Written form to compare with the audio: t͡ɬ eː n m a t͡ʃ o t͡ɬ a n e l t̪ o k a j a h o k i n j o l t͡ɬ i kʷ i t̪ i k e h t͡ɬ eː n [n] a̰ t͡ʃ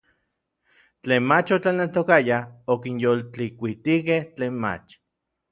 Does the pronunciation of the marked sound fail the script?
yes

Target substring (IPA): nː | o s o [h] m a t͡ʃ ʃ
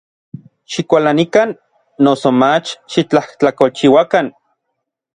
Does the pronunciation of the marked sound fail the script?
yes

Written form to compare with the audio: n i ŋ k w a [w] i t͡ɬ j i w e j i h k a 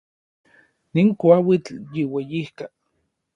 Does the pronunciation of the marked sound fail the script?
no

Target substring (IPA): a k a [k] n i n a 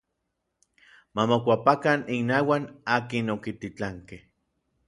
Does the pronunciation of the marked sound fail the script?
yes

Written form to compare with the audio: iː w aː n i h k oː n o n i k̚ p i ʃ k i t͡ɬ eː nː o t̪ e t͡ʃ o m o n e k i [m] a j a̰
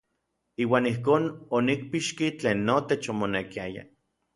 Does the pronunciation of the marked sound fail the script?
yes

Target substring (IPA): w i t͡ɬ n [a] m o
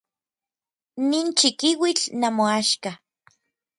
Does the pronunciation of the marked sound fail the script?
no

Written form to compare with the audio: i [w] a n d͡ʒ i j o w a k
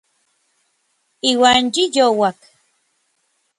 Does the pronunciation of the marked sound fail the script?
no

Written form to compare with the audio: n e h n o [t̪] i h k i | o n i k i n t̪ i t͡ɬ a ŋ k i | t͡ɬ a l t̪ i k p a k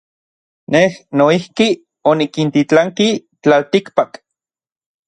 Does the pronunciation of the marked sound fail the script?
yes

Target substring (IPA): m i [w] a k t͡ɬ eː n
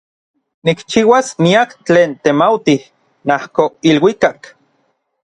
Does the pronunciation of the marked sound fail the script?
yes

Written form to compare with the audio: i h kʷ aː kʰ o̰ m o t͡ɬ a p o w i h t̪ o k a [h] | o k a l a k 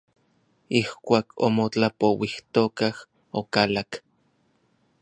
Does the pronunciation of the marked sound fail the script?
no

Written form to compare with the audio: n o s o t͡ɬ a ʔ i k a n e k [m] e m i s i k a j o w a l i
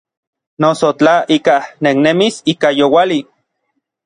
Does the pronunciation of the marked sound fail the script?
yes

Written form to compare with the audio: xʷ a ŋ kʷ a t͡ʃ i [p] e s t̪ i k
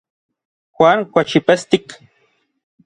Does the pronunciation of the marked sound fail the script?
no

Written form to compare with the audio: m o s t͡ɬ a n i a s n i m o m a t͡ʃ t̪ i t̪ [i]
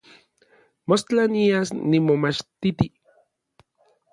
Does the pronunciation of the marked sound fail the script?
no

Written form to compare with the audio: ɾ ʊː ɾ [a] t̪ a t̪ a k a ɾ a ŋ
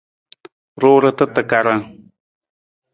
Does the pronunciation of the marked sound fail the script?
no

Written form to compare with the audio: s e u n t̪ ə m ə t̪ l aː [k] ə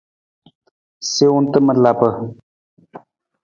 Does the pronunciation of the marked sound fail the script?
yes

